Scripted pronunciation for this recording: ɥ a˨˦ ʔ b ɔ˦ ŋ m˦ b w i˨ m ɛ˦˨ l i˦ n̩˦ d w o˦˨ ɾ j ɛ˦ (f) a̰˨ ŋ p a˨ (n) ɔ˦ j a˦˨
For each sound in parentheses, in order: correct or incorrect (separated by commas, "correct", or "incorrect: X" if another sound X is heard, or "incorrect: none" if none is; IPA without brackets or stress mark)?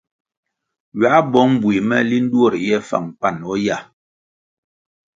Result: correct, correct